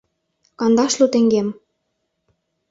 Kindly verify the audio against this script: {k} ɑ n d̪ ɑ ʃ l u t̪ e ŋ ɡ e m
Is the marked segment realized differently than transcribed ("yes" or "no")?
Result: no